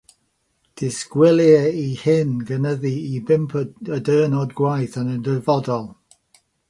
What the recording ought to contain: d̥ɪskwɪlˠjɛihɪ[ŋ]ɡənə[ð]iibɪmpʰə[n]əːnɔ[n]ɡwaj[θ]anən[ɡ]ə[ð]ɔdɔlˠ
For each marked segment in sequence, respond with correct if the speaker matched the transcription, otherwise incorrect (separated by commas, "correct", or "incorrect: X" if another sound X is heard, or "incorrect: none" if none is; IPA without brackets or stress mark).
incorrect: n, correct, incorrect: d, incorrect: d, correct, incorrect: d, incorrect: v